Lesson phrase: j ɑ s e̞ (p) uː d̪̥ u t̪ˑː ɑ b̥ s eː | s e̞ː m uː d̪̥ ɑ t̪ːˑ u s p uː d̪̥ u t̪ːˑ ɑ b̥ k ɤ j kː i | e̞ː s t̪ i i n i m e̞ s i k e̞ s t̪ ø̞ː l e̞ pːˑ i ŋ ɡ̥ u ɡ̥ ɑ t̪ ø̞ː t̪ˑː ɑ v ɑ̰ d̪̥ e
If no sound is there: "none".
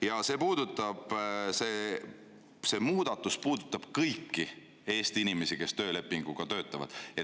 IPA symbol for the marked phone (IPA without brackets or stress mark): p